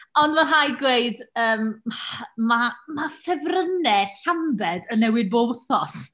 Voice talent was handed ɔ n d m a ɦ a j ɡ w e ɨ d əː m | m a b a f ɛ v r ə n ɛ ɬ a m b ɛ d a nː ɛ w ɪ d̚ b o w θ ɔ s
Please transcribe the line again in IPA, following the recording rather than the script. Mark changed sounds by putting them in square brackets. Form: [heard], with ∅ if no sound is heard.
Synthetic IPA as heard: ɔ n d m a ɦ a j ɡ w e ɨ d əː m | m a [m] a f ɛ v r ə n ɛ ɬ a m b ɛ d [ə] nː ɛ w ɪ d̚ b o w θ ɔ s